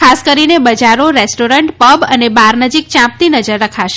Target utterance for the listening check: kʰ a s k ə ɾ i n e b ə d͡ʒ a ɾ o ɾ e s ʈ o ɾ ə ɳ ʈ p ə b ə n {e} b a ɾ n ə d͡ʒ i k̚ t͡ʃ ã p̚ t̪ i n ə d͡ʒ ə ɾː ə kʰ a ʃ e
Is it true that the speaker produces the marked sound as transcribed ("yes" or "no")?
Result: yes